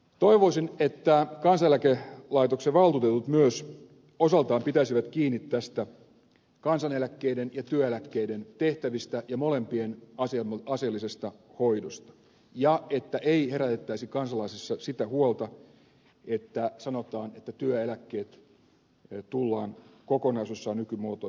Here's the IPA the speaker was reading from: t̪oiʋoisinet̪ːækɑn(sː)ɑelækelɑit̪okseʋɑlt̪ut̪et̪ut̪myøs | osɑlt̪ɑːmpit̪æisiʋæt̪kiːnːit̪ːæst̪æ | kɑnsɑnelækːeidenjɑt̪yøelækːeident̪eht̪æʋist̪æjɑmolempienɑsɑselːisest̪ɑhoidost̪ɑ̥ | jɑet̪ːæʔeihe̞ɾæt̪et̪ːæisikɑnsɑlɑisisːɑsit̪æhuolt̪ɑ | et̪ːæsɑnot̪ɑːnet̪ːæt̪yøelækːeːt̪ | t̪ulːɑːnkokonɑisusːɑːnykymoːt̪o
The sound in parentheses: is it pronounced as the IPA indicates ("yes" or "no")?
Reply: no